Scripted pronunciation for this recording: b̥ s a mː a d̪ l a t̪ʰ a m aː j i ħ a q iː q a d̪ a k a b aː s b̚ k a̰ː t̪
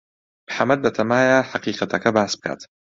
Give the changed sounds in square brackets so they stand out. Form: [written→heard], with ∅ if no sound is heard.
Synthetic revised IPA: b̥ [s→ħ] a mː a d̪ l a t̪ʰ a m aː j [i→a] ħ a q iː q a [d̪→t̪] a k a b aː s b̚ k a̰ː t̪